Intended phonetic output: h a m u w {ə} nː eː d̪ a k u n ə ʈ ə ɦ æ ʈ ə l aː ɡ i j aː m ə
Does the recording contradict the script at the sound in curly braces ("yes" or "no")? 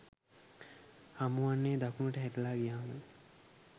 yes